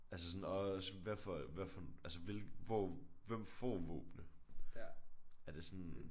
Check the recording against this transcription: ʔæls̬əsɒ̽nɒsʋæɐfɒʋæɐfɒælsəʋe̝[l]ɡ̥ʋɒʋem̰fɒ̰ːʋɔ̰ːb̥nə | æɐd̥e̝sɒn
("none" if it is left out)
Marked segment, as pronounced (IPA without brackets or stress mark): l